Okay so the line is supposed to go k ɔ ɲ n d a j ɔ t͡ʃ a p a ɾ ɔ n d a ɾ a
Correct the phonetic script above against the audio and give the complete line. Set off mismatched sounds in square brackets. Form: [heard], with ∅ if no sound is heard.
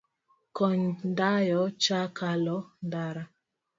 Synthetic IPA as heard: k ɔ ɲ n d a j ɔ t͡ʃ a [k] a [l] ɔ n d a ɾ a